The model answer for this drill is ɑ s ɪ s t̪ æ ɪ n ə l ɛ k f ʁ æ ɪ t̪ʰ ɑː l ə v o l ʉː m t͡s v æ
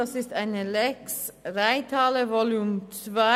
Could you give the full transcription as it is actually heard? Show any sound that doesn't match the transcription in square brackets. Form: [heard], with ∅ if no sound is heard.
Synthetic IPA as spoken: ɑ s ɪ s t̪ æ ɪ n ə l ɛ k [s] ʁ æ ɪ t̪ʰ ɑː l ə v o l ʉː m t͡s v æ